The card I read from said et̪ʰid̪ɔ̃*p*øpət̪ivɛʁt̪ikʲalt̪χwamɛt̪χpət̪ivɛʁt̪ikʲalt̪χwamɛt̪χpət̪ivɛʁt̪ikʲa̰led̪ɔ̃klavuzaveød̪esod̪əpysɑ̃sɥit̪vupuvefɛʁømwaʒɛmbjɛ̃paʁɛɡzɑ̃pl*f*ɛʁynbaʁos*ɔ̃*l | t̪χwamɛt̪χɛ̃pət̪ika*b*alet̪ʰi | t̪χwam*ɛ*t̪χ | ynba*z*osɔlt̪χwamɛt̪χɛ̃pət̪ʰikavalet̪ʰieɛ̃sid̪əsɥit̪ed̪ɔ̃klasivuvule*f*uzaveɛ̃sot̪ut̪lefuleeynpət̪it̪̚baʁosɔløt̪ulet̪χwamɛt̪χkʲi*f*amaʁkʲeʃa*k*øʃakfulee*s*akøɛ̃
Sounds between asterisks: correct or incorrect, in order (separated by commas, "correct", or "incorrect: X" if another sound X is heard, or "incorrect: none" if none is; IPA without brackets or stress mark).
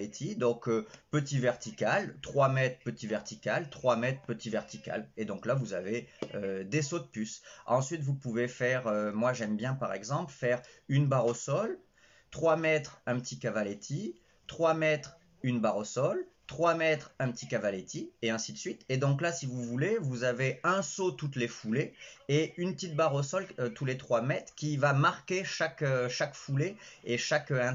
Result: incorrect: k, correct, incorrect: ɔ, incorrect: v, correct, incorrect: ʁ, incorrect: v, incorrect: v, correct, incorrect: ʃ